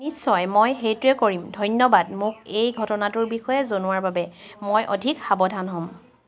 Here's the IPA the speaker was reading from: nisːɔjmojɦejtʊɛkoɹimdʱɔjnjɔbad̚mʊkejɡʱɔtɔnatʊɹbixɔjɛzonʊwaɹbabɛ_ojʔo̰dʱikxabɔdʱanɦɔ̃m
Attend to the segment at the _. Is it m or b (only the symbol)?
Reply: m